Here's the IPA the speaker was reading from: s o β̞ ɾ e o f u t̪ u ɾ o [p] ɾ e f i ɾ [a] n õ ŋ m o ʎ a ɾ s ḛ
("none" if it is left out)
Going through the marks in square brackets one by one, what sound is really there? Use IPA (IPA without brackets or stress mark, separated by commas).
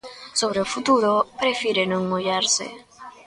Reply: p, e